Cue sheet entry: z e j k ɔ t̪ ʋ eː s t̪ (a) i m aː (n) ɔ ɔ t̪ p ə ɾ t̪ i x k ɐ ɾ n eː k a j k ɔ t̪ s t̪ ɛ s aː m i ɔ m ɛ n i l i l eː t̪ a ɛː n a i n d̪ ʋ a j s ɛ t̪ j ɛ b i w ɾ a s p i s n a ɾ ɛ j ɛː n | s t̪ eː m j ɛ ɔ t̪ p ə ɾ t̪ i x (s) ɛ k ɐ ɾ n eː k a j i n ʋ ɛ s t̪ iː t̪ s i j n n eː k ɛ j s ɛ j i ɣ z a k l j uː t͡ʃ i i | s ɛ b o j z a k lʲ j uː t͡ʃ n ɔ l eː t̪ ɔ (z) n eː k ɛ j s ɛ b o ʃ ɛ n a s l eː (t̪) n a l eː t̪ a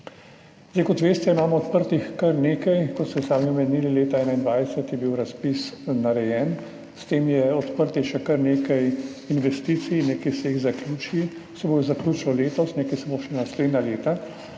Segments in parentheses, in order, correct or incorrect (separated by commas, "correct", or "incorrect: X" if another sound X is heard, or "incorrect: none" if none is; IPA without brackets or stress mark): incorrect: ɛ, incorrect: m, incorrect: ʃ, incorrect: s, incorrect: d̪